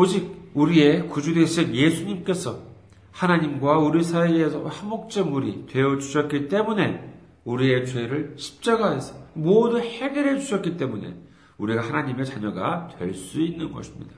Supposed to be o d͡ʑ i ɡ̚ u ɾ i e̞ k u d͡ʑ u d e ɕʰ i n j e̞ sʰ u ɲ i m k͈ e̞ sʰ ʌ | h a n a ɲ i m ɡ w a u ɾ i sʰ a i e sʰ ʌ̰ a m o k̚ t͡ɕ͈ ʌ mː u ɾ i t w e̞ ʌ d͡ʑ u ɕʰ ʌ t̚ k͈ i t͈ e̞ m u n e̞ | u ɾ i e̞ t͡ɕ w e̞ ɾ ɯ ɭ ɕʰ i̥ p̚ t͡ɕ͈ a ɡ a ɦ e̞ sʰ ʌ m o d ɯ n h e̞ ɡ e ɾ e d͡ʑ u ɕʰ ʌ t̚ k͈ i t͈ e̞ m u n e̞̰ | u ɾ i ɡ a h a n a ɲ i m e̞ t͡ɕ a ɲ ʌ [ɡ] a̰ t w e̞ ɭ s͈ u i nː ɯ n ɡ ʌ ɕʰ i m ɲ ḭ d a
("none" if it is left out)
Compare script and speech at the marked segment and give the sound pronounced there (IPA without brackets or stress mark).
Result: ɡ